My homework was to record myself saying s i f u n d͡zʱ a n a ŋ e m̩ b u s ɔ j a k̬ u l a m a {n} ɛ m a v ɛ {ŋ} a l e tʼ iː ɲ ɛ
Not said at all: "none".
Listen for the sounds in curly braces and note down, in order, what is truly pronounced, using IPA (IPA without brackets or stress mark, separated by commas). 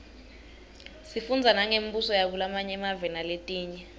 ɲ, n